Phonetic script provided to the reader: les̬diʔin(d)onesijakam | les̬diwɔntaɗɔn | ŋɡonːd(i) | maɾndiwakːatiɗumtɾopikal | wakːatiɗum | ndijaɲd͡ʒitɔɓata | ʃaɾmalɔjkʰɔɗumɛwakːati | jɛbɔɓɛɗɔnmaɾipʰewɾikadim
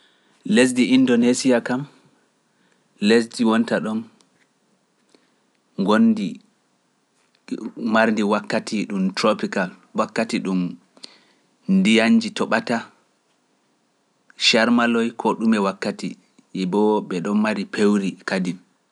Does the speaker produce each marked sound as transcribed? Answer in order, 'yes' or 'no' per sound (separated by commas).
yes, yes